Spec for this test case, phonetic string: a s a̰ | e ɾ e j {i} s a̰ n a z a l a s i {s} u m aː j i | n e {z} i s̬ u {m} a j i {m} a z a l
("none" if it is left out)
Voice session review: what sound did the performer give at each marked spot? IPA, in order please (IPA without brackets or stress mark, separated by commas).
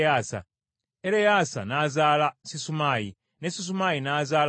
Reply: a, s, s, m, n